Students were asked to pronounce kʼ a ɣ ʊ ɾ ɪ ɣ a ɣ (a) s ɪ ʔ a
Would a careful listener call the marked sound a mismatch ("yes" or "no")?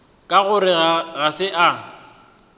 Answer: no